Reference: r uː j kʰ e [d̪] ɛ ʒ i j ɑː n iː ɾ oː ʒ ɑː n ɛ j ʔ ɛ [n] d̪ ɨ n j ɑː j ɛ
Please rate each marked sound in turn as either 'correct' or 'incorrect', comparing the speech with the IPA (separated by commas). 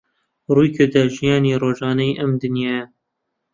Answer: correct, incorrect